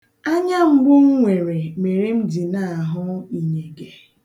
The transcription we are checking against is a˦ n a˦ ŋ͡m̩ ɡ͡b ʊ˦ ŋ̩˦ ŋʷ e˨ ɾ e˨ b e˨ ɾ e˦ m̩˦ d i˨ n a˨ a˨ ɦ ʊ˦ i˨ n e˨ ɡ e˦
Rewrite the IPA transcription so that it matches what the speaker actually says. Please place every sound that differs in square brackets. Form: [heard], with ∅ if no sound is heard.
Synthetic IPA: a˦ [ɲ] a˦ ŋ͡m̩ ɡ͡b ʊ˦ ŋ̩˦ ŋʷ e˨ ɾ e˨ [m] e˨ ɾ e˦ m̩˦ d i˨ n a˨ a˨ ɦ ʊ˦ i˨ [ɲ] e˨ ɡ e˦